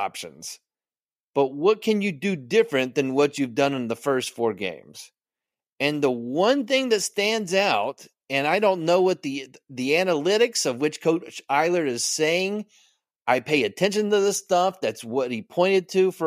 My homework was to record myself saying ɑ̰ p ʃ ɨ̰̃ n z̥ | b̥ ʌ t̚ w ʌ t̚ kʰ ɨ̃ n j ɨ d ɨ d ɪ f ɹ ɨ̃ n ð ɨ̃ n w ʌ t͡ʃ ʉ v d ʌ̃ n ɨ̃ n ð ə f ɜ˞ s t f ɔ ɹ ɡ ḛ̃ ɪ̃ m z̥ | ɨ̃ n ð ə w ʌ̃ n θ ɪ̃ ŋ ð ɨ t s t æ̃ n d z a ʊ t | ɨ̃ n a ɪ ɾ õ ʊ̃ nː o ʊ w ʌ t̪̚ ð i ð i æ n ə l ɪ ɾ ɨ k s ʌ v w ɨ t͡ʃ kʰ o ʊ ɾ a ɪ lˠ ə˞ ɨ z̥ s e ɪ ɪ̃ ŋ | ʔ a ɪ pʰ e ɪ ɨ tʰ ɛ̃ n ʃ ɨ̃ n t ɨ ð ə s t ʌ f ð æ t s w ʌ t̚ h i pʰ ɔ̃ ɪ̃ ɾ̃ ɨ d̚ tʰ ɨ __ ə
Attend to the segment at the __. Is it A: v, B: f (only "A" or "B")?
B